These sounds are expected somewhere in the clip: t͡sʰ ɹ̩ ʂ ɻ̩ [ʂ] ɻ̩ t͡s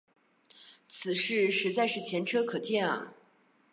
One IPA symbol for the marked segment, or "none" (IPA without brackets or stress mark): ʂ